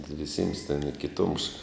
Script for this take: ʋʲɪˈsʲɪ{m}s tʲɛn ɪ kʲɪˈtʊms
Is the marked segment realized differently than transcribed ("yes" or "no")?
no